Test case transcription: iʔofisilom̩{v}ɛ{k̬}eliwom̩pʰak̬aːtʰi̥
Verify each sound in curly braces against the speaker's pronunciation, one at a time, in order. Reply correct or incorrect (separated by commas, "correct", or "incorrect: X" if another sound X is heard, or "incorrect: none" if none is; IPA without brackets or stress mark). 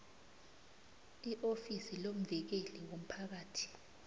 correct, correct